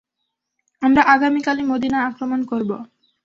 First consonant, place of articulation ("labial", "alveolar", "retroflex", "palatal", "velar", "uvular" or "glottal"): labial